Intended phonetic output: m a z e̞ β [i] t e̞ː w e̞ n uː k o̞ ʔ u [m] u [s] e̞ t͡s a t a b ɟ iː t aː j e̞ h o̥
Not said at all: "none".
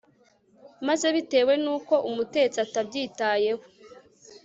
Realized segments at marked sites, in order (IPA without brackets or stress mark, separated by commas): i, m, t